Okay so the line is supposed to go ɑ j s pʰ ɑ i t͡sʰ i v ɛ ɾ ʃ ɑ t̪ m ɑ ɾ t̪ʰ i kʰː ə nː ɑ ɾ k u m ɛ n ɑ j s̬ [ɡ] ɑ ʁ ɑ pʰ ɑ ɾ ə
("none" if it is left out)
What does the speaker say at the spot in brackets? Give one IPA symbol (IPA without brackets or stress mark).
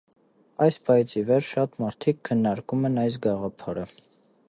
ɡ